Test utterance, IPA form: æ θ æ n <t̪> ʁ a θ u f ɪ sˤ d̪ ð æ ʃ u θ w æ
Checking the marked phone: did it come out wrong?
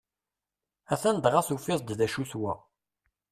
yes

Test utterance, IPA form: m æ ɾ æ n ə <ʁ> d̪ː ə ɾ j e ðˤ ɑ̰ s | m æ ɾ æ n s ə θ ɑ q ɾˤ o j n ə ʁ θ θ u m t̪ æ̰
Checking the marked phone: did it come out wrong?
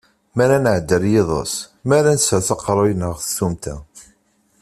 yes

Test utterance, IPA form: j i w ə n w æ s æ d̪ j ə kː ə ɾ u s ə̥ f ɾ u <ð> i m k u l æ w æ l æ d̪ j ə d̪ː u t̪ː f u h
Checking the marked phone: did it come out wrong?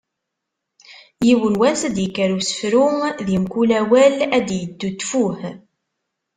no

